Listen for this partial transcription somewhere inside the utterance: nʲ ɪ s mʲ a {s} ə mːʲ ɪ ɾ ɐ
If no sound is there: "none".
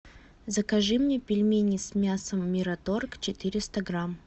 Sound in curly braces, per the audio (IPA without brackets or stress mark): s